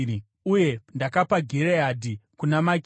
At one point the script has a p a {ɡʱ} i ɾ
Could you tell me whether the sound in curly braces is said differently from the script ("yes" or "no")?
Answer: no